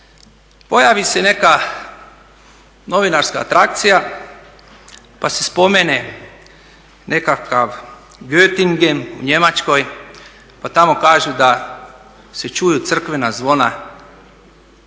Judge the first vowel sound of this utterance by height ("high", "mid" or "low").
mid